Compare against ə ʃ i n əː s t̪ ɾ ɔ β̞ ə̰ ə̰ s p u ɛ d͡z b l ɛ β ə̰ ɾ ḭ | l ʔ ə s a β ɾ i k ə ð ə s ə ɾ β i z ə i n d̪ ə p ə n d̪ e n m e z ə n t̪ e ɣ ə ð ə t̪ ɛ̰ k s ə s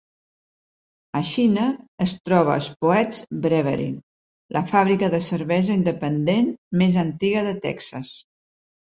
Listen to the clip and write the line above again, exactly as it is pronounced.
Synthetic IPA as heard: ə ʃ i n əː s t̪ ɾ ɔ β̞ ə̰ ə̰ s p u ɛ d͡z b ɾ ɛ β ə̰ ɾ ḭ | l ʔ ə f a β ɾ i k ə ð ə s ə ɾ β ɛ z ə i n d̪ ə p ə n d̪ e n m e z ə n t̪ i ɣ ə ð ə t̪ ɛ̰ k s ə s

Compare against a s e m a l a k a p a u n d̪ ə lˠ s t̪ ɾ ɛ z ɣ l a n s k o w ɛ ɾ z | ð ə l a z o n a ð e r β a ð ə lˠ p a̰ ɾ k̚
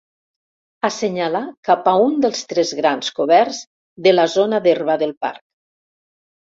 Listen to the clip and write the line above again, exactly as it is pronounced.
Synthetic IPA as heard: a s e ɲ a l a k a p a u n d̪ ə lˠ s t̪ ɾ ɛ z ɣ ɾ a n s k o β ɛ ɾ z | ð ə l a z o n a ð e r β a ð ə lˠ p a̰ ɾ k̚

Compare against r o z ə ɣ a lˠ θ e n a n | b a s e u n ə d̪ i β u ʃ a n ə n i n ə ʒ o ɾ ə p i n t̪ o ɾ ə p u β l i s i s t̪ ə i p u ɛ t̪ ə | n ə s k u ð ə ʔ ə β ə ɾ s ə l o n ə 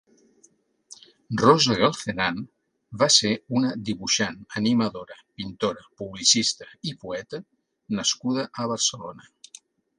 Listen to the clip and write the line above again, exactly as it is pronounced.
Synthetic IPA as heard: r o z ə ɣ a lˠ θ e n a n | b a s e u n ə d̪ i β u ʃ a n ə n i m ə ð o ɾ ə p i n t̪ o ɾ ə p u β l i s i s t̪ ə i p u ɛ t̪ ə | n ə s k u ð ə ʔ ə β ə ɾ s ə l o n ə

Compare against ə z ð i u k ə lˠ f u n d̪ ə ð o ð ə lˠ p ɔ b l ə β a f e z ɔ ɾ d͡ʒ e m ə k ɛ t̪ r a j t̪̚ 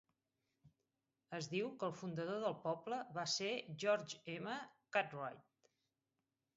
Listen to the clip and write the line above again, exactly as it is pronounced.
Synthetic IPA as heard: ə z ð i w k ə lˠ f u n d̪ ə ð o ð ə lˠ p ɔ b l ə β a s e ʒ ɔ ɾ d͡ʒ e m ə k a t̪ r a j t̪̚

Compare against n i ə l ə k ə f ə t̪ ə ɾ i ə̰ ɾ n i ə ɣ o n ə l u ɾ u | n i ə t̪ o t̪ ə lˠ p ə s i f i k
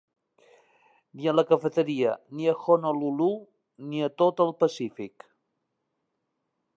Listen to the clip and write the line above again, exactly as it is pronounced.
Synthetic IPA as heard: n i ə l ə k ə f ə t̪ ə ɾ i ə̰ n i ə x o n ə l u l u | n i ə t̪ o t̪ ə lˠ p ə s i f i k

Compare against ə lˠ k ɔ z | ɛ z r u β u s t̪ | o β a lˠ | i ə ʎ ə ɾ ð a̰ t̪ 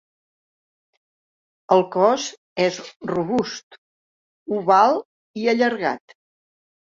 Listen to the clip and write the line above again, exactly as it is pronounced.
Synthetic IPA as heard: ə lˠ k ɔ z | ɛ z r u β u s t̪ | u β a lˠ | i ə ʎ ə ɾ ɣ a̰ t̪

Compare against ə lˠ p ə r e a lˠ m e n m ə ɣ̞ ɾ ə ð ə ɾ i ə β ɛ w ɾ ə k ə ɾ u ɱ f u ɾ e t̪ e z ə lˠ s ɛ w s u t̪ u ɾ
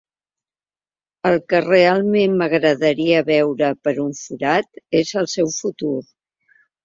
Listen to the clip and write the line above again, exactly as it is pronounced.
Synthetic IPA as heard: ə lˠ k ə r e a lˠ m e n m ə ɣ̞ ɾ ə ð ə ɾ i ə β ɛ w ɾ ə p ə ɾ u ɱ f u ɾ a t̪ e z ə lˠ s ɛ w f u t̪ u ɾ

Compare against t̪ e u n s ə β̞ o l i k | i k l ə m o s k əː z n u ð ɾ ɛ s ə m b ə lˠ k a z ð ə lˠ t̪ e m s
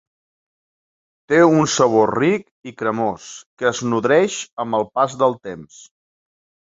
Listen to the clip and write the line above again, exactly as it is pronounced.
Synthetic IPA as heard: t̪ e u n s ə β̞ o r i k | i k ɾ ə m o s k əː z n u ð ɾ ɛ ʃ ə m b ə lˠ p a z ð ə lˠ t̪ e m s

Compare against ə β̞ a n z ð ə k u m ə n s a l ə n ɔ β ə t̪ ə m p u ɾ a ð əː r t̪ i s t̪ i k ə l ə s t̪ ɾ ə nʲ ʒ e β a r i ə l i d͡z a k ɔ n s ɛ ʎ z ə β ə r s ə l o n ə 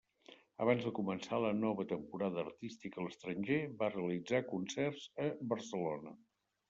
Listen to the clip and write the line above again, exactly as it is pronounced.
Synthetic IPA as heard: ə β̞ a n z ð ə k u m ə n s a l ə n ɔ β ə t̪ ə m p u ɾ a ð əː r t̪ i s t̪ i k ə l ə s t̪ ɾ ə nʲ ʒ e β a r e ə l i d͡z a k u n s ɛ r z ə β ə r s ə l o n ə

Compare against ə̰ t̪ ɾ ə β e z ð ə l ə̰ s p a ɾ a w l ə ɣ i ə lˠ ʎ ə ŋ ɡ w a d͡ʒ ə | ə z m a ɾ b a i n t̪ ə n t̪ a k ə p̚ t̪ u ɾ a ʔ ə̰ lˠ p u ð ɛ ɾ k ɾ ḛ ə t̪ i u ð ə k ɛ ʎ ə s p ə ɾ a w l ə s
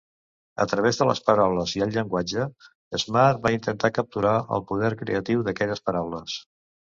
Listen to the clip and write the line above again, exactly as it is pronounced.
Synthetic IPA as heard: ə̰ t̪ ɾ ə β e z ð ə l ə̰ s p ə ɾ a w l ə z i ə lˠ ʎ ə ŋ ɡ w a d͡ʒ ə | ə z m a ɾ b a i n t̪ ə n t̪ a k ə p̚ t̪ u ɾ a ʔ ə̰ lˠ p u ð ɛ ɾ k ɾ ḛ ə t̪ i w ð ə k ɛ ʎ ə s p ə ɾ a w l ə s

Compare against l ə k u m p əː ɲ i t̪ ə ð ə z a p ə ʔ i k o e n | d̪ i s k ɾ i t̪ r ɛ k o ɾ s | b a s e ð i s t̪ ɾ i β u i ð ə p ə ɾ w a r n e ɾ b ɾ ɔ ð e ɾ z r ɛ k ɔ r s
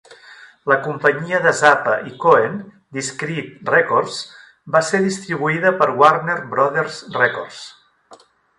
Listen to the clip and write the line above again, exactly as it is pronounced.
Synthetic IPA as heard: l ə k u m p ə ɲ i ə ð ə z a p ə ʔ i k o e n | d̪ i s k ɾ i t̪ r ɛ k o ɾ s | b a s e ð i s t̪ ɾ i β u i ð ə p ə ɾ w a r n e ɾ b ɾ ɔ ð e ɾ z r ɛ k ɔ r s

